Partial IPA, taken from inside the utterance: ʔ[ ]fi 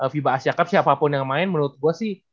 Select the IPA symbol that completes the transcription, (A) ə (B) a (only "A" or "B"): A